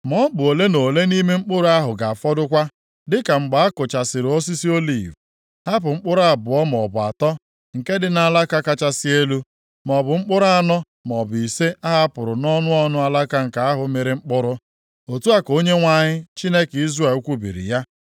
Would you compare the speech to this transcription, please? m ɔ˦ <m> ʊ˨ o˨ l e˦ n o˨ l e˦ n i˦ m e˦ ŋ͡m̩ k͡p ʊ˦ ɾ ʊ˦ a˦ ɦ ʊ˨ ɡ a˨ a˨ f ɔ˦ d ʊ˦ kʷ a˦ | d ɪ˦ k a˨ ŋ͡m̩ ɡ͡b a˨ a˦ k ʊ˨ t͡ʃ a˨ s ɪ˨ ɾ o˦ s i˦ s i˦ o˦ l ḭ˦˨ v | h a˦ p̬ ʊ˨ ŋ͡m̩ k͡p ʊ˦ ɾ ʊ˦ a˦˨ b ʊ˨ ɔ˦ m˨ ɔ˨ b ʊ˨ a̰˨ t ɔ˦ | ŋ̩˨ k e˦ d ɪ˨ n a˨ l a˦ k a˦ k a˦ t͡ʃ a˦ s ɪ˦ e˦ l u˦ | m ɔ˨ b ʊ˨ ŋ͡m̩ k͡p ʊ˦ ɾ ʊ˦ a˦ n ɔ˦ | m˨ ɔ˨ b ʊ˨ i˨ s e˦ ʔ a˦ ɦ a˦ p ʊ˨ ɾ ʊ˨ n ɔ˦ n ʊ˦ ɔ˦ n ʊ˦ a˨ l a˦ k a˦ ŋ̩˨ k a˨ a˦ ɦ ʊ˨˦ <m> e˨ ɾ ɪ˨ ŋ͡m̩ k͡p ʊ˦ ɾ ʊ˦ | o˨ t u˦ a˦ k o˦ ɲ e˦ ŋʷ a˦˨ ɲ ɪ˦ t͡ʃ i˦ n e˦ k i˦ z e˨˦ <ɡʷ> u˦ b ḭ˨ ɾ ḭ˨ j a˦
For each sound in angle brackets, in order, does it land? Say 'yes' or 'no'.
no, yes, no

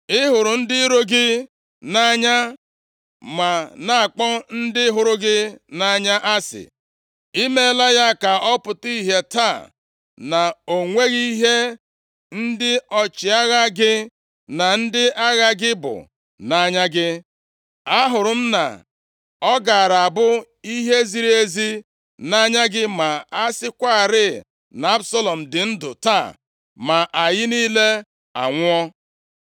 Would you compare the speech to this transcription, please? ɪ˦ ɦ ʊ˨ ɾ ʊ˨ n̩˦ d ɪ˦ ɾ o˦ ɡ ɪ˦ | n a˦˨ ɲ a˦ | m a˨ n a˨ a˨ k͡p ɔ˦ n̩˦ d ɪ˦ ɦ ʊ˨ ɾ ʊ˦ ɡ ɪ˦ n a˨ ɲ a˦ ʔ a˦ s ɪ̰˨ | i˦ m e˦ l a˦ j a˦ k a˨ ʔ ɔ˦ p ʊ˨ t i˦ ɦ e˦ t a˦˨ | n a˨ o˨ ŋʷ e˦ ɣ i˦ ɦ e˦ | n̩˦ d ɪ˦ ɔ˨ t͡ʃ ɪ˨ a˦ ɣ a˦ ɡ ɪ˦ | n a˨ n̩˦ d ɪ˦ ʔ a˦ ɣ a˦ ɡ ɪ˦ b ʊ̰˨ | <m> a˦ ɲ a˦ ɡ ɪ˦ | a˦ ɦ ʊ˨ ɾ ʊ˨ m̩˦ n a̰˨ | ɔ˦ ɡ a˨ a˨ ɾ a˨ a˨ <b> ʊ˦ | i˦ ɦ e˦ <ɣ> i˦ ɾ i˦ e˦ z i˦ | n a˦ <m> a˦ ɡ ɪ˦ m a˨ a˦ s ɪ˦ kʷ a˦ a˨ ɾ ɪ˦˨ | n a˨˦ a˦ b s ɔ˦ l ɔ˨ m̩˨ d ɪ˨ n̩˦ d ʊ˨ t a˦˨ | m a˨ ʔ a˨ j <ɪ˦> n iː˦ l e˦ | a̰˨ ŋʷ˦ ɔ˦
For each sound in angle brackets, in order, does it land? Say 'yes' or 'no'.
no, yes, no, no, yes

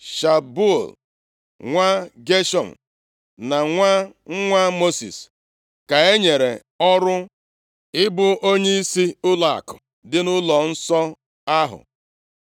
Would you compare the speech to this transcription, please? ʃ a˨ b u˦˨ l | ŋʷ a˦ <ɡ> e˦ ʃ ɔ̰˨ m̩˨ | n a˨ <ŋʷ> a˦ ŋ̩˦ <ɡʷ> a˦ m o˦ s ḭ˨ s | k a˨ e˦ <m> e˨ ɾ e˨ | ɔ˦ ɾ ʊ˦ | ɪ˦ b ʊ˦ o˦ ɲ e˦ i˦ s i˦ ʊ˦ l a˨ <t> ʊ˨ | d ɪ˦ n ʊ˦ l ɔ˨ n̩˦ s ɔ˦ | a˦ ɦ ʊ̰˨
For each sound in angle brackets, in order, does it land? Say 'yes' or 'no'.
yes, yes, no, no, no

